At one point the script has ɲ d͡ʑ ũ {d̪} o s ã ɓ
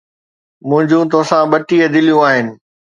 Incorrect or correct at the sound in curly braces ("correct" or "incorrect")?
incorrect